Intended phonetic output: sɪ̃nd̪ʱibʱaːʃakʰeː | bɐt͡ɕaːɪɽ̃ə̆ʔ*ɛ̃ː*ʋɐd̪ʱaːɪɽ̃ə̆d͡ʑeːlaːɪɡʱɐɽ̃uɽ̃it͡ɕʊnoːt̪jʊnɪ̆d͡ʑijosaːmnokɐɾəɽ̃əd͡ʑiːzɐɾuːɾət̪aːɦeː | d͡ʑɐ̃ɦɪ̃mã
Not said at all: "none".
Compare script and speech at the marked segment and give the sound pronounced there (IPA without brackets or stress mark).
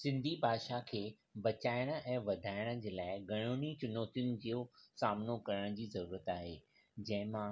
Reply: ɛ̃ː